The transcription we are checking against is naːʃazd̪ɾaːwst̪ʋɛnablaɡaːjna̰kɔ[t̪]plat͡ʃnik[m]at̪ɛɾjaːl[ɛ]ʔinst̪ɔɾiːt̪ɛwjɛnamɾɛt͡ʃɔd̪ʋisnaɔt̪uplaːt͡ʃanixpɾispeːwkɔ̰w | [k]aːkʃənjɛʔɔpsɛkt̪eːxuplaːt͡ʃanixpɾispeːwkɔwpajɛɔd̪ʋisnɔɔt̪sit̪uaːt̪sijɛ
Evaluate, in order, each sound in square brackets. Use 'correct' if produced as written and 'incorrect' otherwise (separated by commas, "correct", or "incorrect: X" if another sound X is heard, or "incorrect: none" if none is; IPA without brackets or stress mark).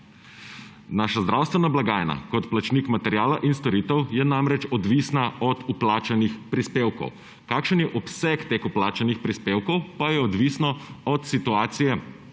correct, correct, incorrect: a, correct